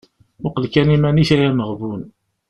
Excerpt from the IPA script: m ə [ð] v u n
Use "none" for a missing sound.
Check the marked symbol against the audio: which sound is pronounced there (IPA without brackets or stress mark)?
ʁ